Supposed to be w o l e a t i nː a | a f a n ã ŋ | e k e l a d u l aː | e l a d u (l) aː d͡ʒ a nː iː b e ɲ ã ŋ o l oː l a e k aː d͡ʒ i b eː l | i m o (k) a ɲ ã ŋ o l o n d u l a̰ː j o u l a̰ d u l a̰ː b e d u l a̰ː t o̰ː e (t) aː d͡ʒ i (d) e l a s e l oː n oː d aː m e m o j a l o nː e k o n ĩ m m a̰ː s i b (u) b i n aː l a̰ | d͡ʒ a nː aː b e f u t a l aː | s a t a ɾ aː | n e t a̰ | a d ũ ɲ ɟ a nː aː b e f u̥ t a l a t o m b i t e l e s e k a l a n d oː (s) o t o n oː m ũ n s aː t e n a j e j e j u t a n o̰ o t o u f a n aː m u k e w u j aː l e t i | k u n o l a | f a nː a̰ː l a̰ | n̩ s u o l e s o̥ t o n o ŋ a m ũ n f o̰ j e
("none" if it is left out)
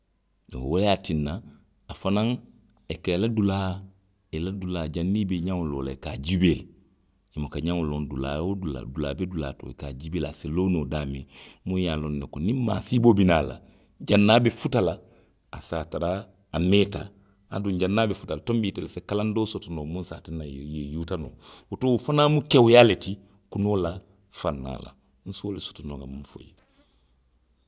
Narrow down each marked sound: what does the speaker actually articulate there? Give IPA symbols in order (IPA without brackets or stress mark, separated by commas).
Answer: l, k, k, b, o, s